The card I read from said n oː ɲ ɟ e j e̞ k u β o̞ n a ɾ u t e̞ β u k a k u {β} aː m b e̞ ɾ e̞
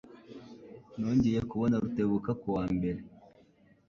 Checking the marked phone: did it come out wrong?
yes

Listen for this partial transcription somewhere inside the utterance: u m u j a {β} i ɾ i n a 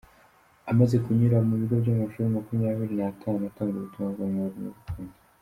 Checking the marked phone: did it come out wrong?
no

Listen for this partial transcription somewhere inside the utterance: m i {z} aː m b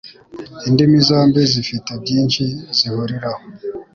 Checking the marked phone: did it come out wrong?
no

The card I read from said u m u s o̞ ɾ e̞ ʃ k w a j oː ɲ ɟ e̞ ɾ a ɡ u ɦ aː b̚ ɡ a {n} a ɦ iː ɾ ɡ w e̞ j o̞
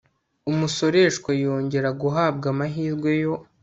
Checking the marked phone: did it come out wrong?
yes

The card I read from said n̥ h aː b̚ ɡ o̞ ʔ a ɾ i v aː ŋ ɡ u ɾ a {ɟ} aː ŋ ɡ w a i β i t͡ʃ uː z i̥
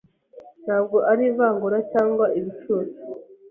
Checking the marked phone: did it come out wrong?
yes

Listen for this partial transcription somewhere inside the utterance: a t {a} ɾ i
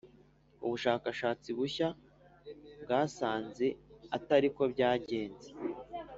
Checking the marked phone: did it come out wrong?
no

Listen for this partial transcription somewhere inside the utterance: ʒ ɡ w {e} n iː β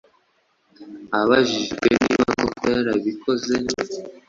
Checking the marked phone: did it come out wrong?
no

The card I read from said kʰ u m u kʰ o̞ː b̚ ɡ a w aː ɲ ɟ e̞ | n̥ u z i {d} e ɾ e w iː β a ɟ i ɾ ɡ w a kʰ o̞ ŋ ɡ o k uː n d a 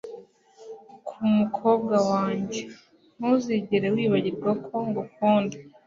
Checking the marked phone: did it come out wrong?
yes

